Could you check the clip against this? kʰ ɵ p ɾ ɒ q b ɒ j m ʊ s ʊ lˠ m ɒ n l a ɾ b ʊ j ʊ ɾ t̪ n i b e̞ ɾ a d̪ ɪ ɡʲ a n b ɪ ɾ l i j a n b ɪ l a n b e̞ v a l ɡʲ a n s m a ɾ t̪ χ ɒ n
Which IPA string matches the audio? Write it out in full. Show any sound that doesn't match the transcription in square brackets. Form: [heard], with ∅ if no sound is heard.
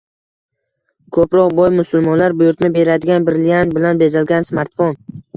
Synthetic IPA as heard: kʰ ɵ p ɾ ɒ q b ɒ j m ʊ s ʊ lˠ m ɒ n l a ɾ b ʊ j ʊ ɾ t̪ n [ɪ] b e̞ ɾ a d̪ ɪ ɡʲ a n b ɪ ɾ l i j a n b ɪ l a n b e̞ [z] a l ɡʲ a n s m a ɾ t̪ [f] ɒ n